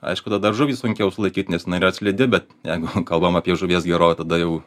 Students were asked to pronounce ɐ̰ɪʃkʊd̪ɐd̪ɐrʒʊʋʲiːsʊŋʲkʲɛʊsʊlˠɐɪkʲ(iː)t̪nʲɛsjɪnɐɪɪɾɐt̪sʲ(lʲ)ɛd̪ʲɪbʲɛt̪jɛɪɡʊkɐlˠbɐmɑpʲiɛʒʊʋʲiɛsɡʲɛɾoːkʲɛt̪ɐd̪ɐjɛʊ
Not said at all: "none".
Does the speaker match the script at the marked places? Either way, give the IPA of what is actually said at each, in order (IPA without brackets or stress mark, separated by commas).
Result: iː, lʲ